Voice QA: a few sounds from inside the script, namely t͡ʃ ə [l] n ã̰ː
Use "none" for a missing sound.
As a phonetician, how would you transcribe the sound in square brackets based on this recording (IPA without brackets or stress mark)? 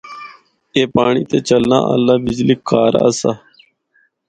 l